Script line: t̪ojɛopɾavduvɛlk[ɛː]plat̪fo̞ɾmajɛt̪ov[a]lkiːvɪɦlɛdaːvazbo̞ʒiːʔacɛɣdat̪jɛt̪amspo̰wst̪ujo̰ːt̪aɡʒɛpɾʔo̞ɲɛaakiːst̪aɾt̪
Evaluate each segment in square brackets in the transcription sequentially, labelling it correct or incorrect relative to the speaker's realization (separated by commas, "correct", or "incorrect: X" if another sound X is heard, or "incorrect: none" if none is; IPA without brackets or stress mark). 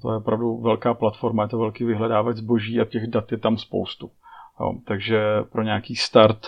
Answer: incorrect: aː, incorrect: ɛ